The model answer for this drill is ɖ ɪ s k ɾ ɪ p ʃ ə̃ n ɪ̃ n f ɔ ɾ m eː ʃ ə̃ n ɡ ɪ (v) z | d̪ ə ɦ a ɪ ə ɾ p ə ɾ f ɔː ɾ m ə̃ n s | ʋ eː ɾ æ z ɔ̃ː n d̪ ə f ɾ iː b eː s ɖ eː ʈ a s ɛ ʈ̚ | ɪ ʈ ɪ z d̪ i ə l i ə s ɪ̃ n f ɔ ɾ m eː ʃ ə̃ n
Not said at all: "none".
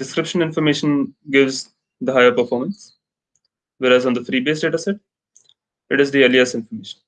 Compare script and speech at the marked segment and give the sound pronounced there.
ʋ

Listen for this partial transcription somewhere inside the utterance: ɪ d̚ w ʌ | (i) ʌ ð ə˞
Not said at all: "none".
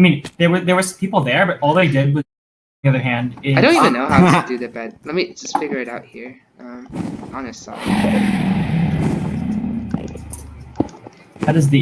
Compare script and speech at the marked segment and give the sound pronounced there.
i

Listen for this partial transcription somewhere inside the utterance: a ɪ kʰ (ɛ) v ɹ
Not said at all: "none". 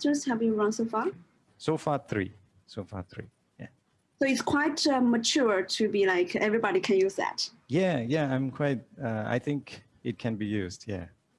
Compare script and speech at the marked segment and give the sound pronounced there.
ɛ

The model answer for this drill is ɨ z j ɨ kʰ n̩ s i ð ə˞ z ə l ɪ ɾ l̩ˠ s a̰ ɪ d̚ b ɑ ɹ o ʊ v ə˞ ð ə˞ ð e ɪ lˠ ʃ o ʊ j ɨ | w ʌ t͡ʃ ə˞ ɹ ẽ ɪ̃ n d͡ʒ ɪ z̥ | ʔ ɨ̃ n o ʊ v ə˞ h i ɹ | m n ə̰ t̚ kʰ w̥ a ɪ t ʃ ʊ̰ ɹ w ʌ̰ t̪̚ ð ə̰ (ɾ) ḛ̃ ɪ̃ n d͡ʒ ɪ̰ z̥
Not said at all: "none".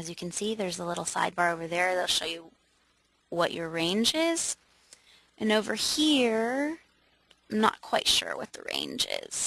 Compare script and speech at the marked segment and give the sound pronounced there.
ɹ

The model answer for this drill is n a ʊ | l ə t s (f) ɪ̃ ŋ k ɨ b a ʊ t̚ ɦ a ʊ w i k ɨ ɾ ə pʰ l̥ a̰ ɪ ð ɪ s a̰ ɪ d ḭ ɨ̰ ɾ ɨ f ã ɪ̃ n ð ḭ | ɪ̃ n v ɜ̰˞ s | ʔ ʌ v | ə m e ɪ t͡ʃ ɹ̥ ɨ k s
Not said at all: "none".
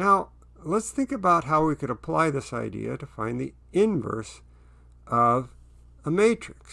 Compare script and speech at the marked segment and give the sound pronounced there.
θ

